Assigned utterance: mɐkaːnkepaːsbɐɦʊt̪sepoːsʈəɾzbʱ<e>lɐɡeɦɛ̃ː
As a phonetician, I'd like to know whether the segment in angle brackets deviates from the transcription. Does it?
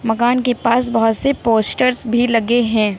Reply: yes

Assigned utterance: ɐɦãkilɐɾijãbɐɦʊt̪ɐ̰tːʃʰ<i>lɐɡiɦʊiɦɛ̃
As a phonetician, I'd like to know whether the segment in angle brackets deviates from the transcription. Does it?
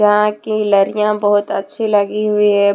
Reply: no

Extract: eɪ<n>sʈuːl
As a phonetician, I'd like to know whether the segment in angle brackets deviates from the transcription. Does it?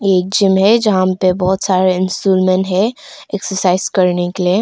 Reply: no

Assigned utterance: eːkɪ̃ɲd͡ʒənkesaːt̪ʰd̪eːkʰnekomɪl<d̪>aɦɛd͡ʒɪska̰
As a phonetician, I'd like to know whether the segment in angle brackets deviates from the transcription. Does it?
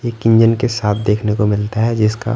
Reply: yes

